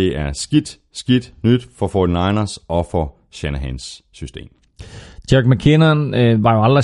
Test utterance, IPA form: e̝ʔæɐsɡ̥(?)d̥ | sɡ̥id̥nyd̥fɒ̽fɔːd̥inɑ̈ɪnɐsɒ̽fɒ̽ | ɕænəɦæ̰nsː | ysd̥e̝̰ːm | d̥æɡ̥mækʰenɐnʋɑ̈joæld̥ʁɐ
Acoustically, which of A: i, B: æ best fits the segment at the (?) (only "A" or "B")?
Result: A